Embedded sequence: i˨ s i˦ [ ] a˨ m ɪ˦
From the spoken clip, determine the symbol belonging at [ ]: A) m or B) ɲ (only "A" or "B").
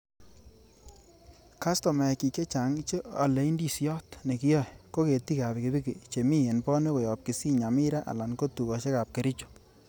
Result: B